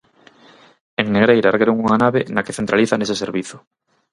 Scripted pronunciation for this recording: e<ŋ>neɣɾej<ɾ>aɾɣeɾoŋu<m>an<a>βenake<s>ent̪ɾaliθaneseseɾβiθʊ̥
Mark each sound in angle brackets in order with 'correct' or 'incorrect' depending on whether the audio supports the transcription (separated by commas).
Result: correct, correct, incorrect, correct, incorrect